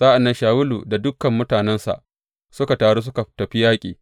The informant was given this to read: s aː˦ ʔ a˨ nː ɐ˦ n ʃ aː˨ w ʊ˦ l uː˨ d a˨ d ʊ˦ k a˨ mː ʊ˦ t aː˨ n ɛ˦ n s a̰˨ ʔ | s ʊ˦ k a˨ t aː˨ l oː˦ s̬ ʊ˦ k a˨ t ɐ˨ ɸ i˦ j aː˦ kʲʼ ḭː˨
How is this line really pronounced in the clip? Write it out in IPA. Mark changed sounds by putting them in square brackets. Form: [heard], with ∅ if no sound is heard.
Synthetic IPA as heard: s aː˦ ʔ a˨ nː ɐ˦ n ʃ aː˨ w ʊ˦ l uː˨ d a˨ d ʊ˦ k [ɐ˨] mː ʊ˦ t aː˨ n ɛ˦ n s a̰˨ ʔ | s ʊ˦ k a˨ t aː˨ [ɽ] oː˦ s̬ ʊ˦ k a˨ t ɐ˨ ɸ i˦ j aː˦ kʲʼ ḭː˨